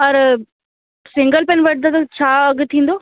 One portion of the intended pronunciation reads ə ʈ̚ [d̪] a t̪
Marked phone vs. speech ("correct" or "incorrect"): correct